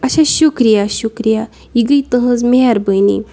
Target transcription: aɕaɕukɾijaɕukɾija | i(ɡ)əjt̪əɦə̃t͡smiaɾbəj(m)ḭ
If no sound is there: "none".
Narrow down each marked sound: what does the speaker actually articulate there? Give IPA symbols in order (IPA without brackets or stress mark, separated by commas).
ɡ, n